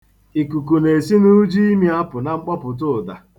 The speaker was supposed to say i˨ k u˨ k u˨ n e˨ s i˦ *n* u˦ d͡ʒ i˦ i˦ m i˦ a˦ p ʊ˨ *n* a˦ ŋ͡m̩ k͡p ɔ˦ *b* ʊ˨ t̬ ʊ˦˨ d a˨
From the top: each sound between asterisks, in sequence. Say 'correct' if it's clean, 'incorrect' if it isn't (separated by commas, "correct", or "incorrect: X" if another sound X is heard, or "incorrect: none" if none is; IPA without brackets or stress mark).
correct, correct, incorrect: p